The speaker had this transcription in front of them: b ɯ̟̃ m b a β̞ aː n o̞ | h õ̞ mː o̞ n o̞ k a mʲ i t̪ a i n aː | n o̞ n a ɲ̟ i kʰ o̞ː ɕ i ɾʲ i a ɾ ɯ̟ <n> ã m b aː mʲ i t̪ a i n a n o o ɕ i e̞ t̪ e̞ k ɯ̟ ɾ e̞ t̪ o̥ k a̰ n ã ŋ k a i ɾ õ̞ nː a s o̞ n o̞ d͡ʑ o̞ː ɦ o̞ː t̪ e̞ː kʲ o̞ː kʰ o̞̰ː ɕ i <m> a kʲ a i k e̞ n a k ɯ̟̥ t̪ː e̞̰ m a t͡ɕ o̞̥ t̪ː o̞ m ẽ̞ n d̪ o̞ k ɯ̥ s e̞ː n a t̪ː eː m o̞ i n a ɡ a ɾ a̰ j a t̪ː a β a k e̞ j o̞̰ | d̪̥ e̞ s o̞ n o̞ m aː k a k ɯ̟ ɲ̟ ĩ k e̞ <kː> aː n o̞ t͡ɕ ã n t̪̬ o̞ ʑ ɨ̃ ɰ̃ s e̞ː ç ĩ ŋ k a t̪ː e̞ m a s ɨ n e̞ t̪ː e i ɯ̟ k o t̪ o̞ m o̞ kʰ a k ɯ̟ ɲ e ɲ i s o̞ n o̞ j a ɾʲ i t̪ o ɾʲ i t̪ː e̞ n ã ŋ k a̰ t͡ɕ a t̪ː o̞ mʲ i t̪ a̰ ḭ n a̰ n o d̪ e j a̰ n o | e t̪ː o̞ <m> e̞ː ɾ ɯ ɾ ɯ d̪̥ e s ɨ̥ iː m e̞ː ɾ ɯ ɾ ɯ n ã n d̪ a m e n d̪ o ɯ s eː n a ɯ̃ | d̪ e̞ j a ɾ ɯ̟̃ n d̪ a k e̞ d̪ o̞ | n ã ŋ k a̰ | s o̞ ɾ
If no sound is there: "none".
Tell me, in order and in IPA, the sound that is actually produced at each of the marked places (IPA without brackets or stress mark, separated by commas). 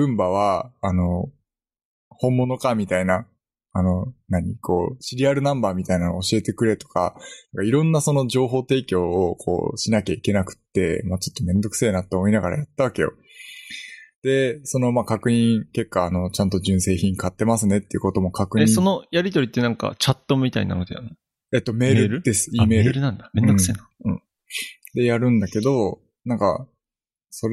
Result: n, n, kː, m